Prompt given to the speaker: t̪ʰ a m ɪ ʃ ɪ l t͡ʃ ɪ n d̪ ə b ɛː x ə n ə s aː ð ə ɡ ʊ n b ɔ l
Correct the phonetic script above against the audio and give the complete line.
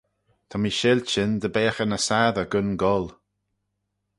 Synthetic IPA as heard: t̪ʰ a m i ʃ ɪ l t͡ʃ ɪ n d̪ ə b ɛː x ə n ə s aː ð ə ɡ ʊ n ɡ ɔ l

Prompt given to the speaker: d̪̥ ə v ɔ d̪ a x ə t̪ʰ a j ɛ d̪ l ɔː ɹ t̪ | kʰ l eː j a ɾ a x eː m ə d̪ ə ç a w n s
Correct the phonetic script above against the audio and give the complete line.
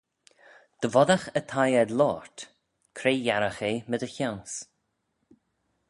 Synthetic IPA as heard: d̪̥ ə v ɔ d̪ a x ə t̪ʰ a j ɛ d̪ l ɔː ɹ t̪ | kʰ ɾ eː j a ɾ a x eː m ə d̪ ə ç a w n s

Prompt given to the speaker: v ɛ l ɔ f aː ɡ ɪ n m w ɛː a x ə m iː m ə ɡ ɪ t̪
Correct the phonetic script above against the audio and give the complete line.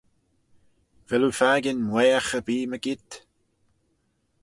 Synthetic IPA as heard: v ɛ l u f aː ɡ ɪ n m w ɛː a x ə b iː m ə ɡ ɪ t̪

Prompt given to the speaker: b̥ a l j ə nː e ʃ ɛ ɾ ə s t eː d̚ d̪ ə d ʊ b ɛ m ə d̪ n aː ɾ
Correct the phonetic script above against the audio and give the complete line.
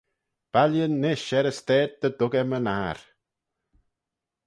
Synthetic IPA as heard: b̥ a l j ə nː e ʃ ɛ ɾ ə s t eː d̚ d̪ ə d ʊ ɡ ɛ m ə n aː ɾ

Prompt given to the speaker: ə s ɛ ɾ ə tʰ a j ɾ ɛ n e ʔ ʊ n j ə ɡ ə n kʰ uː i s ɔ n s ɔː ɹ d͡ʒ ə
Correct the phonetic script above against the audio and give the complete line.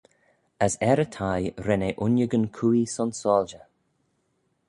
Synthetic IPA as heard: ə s ɛ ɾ ə tʰ a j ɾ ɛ n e ʔ ʊ n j ə ɡ ə n kʰ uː i s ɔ n s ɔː l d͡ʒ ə

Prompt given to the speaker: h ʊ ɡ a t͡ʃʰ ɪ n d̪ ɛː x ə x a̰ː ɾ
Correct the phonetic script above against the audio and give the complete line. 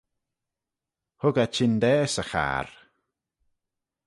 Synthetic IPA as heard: h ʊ ɡ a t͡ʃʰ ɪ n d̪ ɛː s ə x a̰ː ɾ

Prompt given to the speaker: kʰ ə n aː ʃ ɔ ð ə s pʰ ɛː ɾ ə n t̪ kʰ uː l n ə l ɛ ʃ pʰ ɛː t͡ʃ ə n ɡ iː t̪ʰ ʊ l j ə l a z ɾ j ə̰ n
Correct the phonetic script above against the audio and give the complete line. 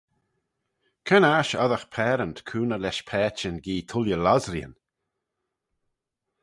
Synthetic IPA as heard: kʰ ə n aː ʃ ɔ ð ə x pʰ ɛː ɾ ə n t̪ kʰ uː n ə l ɛ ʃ pʰ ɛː t͡ʃ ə n ɡ iː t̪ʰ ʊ l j ə l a z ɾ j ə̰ n

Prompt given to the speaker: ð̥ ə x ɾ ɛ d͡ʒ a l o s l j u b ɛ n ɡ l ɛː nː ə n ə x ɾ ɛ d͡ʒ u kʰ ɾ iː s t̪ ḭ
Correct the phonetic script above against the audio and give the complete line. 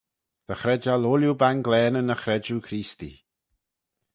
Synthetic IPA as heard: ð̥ ə x ɾ ɛ d͡ʒ a l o l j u b a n ɡ l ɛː n ə n ə x ɾ ɛ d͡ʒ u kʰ ɾ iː s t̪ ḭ

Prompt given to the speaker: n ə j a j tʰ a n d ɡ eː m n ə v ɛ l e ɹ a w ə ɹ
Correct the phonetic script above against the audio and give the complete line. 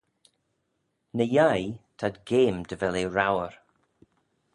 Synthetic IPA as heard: n ə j a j tʰ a d ɡ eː m d ə v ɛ l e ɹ a w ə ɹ

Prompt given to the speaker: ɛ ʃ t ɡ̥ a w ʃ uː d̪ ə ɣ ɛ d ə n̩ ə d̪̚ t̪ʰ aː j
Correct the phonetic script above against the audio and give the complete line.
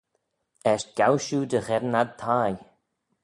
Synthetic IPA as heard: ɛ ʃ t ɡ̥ a w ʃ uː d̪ ə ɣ ɛ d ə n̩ a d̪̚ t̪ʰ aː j

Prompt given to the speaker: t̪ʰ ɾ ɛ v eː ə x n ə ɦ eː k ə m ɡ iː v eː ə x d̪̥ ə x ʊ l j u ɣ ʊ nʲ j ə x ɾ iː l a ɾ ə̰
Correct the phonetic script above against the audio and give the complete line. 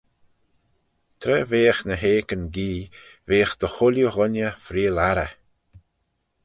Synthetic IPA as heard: t̪ʰ ɾ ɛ v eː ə x n ə ɦ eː k ə n ɡ iː v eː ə x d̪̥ ə x ʊ l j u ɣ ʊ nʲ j ə f ɾ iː l a ɾ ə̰

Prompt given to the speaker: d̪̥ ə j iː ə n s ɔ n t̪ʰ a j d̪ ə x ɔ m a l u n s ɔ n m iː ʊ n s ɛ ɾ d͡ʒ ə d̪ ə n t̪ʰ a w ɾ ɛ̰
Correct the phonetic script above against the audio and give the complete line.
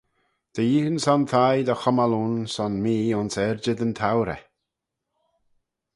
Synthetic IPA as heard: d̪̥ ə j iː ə n s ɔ n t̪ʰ a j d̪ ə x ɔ m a l u n s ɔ n m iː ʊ n s ɛ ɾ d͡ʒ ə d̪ ə n t̪ʰ a w ɾ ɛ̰

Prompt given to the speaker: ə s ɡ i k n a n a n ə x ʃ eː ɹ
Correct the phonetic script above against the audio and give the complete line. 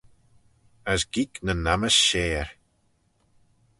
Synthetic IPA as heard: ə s ɡ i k n ə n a m ə s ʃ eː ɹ

